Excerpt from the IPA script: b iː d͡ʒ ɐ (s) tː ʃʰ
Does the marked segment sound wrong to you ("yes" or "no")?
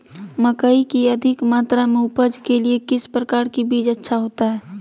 yes